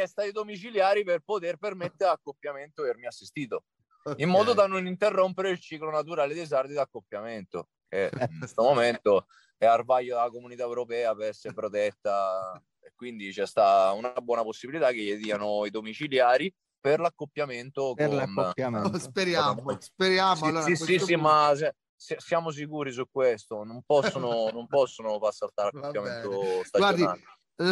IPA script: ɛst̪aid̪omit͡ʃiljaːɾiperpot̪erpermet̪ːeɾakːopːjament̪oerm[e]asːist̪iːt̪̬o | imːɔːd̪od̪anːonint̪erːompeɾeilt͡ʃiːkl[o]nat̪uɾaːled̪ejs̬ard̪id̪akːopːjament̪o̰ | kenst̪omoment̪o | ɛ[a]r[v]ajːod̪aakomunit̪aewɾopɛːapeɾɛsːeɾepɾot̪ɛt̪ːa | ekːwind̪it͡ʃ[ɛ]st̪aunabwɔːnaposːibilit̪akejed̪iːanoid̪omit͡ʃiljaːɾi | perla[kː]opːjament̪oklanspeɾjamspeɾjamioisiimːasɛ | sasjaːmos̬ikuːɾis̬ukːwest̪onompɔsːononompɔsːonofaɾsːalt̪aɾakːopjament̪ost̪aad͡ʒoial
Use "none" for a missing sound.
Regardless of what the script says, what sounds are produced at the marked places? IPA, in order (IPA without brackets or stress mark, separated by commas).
i, o, a, v, ɛ, kː